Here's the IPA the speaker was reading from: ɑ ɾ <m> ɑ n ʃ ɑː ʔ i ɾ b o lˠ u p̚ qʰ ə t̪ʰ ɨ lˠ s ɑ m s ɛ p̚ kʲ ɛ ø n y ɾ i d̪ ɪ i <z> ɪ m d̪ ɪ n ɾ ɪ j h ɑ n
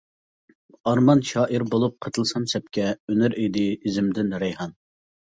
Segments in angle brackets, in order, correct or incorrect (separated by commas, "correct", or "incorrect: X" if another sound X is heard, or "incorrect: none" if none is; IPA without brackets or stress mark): correct, correct